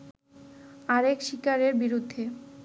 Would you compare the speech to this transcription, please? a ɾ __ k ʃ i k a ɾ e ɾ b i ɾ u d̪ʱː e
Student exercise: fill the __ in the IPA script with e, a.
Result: e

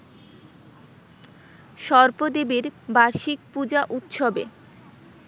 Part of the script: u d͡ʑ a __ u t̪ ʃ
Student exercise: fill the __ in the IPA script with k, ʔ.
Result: ʔ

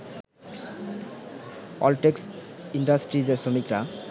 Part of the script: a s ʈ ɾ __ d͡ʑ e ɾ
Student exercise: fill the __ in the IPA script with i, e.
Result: i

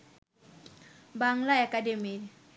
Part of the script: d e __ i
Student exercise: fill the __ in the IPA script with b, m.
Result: m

